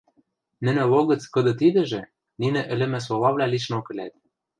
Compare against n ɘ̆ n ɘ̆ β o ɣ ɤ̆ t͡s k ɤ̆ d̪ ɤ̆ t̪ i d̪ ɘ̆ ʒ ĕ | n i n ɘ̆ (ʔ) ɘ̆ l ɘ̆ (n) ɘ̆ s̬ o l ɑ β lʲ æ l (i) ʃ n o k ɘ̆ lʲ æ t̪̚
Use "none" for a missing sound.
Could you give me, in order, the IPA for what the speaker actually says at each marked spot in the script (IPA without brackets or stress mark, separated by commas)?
ʔ, m, i